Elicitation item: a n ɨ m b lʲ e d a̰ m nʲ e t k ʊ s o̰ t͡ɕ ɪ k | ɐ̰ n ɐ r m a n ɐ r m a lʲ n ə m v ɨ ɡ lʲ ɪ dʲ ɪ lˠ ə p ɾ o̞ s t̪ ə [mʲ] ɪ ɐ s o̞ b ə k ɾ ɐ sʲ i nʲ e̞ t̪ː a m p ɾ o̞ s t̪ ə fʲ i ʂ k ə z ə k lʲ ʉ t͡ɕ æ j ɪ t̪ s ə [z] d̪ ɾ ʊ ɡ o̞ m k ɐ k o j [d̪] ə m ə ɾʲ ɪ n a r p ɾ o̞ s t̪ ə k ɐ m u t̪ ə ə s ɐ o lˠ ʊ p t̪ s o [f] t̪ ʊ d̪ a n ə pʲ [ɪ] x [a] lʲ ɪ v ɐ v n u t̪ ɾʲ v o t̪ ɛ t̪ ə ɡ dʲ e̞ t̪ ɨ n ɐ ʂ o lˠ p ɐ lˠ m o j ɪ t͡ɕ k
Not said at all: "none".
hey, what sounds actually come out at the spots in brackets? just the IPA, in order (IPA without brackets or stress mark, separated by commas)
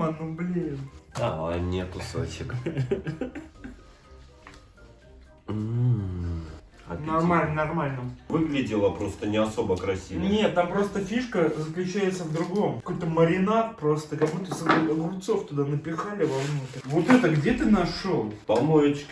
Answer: nʲ, v, t̪, f, ɪ, a